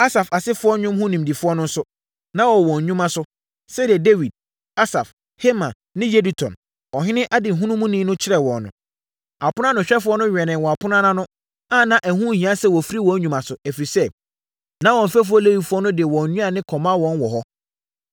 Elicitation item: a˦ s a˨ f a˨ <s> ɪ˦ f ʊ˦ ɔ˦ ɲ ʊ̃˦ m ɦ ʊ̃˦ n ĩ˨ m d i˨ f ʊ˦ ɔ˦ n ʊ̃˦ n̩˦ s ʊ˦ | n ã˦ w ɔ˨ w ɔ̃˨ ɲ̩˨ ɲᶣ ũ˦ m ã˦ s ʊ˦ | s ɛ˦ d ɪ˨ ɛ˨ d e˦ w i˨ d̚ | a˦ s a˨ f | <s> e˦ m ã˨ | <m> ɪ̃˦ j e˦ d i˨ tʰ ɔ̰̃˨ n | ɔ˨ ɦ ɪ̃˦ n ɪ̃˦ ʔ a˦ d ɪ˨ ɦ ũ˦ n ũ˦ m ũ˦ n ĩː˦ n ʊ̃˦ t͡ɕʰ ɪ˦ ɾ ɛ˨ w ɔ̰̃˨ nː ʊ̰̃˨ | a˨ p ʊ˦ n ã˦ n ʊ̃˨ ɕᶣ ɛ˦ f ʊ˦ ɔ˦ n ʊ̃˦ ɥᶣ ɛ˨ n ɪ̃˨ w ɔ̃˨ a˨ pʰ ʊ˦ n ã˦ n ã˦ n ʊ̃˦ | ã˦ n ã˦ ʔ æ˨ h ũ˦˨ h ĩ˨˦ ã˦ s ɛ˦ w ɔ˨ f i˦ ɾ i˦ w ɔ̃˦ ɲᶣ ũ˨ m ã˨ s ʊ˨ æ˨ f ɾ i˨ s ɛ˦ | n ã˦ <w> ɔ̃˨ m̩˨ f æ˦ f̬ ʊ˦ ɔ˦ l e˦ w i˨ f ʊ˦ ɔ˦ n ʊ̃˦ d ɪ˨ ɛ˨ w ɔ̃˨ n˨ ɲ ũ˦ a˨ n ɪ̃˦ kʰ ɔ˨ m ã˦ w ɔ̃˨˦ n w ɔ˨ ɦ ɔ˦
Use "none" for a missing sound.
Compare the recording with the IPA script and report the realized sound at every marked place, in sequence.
s, h, n, w

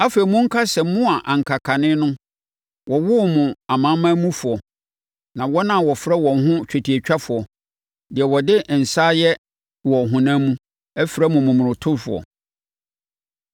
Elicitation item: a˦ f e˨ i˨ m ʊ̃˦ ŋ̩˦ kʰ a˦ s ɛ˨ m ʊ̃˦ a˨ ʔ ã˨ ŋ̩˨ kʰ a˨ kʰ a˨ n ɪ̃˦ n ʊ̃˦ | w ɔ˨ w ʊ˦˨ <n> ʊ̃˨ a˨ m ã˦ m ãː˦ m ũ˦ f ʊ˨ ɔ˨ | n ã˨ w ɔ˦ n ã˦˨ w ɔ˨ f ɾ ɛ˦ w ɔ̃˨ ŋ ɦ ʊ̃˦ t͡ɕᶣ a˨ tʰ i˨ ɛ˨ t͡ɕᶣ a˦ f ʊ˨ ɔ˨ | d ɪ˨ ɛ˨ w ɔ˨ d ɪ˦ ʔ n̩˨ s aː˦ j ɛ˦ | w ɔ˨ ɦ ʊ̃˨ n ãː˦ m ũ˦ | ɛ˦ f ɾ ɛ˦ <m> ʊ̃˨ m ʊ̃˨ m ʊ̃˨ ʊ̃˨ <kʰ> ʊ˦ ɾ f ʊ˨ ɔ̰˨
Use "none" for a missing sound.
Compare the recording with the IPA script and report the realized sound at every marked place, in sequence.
m, m, tʰ

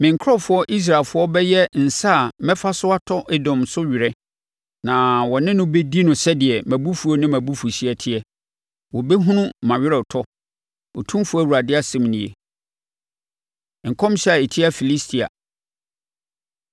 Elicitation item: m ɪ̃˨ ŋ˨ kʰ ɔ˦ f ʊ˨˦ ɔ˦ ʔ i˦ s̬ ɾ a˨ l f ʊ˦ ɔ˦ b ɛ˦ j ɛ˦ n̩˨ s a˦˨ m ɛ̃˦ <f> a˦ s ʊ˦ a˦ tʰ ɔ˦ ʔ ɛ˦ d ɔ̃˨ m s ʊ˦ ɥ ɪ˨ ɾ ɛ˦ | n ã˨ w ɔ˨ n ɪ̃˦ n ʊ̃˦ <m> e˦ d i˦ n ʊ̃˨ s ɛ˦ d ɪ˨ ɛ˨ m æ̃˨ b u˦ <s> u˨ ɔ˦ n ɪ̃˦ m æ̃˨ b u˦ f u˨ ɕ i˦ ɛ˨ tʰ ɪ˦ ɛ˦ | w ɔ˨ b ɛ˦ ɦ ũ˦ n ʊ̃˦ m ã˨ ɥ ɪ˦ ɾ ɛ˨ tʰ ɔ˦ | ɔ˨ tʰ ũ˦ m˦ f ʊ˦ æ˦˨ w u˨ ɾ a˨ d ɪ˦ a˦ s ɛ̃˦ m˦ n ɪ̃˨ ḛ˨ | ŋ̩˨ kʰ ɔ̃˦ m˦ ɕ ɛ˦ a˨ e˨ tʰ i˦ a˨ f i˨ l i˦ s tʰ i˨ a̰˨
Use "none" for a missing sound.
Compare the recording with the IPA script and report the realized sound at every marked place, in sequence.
f, b, f

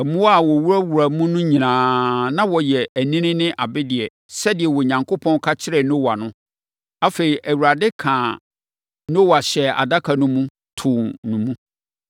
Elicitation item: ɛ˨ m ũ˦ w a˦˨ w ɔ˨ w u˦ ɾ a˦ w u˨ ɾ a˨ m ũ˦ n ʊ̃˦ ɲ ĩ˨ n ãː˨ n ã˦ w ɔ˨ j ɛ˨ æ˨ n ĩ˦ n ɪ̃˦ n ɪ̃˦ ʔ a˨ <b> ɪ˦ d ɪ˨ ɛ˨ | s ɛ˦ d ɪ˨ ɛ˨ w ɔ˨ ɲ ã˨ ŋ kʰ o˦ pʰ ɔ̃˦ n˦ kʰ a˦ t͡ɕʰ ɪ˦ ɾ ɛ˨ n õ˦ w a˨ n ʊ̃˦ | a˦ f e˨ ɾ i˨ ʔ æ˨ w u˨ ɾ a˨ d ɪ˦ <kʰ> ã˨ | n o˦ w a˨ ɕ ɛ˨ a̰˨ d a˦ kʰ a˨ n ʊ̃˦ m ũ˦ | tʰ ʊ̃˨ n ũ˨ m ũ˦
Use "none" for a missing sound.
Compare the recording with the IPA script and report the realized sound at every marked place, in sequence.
b, kʰ

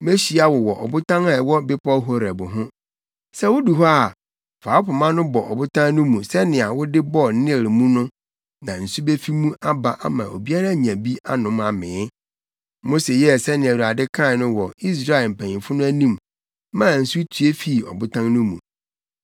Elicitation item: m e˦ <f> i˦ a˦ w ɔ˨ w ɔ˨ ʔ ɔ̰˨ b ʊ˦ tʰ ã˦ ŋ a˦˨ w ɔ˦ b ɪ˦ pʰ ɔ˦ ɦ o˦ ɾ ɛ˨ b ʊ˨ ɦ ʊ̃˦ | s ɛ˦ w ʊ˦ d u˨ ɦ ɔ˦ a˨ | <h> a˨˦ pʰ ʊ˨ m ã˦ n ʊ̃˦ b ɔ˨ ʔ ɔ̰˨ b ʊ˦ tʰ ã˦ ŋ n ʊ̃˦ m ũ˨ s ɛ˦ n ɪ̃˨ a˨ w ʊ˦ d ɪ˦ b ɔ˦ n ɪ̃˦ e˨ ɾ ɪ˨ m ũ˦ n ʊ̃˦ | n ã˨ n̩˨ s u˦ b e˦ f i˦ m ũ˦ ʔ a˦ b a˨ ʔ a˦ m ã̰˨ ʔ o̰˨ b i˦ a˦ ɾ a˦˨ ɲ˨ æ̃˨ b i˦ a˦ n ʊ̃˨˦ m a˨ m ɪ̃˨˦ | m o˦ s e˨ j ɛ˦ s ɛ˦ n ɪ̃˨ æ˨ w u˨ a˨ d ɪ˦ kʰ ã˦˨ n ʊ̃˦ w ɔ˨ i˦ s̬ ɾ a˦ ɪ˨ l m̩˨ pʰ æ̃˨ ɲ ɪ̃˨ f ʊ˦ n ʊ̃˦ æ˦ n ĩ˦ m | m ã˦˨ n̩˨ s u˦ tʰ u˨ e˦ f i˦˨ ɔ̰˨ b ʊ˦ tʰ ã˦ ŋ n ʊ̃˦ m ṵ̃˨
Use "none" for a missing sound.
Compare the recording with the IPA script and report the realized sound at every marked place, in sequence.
ɕ, f

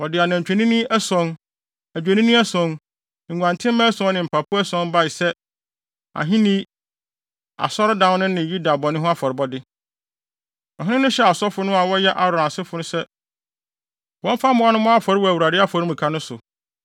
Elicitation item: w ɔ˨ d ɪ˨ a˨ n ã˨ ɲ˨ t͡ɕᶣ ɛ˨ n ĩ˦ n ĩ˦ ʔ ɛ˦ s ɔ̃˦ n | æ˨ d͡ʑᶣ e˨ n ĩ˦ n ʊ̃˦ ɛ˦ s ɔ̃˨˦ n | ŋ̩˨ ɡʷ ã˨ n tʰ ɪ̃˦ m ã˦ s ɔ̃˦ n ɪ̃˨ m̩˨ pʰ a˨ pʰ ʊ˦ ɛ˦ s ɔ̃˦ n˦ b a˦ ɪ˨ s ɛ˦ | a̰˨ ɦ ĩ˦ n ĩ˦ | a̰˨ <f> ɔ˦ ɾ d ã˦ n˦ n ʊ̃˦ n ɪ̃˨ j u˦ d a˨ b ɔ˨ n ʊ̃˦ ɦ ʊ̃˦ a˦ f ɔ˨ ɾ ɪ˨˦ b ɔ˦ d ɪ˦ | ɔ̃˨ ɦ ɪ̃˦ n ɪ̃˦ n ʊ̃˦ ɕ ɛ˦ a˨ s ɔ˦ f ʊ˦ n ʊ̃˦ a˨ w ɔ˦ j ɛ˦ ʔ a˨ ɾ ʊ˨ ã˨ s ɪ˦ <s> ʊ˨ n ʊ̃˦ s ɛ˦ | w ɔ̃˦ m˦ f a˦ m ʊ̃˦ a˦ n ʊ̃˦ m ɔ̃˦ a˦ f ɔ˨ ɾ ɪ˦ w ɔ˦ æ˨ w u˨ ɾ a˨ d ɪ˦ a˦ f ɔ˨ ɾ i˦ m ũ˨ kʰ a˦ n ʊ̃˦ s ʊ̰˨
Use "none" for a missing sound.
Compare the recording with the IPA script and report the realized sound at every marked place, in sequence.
s, f

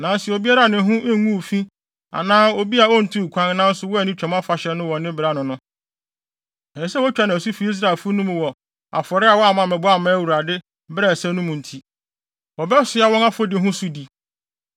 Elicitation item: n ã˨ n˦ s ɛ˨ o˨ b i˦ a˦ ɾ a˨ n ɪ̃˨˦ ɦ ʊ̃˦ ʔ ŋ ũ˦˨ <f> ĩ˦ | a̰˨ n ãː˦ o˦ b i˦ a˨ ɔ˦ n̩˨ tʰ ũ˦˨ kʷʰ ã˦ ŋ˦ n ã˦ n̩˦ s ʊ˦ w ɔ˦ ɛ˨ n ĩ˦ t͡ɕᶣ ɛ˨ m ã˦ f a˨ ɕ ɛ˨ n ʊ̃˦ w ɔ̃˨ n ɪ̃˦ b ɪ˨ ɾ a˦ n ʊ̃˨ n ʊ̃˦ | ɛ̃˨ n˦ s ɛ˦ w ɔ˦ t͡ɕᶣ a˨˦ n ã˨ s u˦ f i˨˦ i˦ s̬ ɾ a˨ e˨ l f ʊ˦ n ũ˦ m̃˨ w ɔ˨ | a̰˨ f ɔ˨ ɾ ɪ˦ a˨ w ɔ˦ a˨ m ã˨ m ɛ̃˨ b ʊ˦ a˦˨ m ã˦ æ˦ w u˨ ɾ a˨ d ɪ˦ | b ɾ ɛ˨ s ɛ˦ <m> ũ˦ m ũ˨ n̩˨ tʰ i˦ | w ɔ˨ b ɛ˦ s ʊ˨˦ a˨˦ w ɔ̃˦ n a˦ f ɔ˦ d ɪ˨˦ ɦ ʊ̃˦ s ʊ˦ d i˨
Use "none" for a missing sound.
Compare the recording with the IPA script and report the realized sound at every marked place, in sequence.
f, n

